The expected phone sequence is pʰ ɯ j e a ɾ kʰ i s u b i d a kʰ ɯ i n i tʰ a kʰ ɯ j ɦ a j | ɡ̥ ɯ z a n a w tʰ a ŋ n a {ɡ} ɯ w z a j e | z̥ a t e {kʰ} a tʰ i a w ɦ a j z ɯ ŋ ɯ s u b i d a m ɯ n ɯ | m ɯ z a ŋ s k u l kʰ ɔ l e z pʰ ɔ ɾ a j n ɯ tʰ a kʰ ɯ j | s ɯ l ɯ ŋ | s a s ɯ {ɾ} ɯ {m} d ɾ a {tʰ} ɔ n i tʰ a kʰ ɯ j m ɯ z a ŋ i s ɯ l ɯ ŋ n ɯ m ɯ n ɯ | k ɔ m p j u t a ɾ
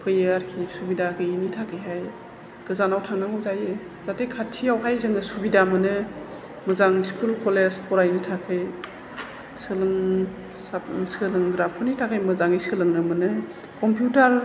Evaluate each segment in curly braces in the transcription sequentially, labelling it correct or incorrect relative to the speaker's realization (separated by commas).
incorrect, correct, incorrect, incorrect, incorrect